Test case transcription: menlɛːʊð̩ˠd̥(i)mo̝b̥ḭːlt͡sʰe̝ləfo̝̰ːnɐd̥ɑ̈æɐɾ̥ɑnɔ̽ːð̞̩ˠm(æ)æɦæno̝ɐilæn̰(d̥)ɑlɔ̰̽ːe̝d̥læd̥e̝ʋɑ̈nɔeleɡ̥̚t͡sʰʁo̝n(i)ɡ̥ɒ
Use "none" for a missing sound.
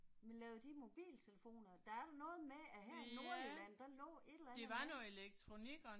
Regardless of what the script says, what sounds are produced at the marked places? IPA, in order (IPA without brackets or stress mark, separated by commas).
i, e, d̥, i